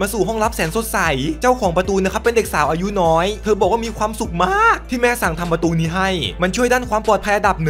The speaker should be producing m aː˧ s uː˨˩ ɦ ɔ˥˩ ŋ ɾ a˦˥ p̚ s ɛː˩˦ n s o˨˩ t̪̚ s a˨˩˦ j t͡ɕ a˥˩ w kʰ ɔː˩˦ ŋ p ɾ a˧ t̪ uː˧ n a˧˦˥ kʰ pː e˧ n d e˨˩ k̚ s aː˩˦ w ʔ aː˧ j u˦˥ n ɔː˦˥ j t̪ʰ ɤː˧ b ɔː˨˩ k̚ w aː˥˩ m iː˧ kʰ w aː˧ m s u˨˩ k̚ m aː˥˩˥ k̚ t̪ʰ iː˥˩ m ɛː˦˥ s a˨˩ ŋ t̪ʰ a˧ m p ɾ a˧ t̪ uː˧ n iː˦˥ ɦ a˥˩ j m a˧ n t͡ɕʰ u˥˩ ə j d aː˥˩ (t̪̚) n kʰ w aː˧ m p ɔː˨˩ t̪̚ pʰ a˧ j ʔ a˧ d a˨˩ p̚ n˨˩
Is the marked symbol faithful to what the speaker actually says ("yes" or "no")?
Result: no